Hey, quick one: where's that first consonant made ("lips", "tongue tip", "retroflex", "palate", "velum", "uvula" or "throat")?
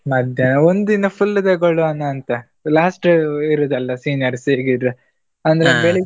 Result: lips